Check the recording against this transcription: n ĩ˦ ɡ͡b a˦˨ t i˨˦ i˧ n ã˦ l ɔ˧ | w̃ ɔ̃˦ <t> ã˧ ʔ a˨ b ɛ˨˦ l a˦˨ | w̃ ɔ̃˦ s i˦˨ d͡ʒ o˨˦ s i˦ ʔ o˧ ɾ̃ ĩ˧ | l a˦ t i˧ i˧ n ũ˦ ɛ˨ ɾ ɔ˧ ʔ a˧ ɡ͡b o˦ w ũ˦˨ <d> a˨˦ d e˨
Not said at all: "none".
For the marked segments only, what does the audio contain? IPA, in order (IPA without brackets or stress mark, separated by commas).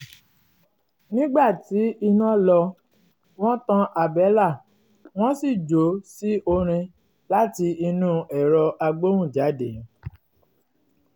t, d͡ʒ